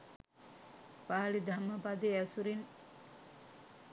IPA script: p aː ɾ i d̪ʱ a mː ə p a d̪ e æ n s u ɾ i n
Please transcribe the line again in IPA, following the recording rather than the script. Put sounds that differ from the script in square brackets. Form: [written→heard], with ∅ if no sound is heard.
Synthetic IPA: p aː [ɾ→l] i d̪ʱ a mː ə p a d̪ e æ [n→∅] s u ɾ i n